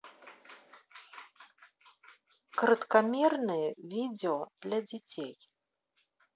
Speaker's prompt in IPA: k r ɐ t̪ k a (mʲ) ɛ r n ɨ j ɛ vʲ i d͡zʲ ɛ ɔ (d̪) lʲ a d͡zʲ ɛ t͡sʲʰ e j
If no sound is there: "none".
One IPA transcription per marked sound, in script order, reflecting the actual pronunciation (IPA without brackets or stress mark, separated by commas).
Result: mʲ, d̪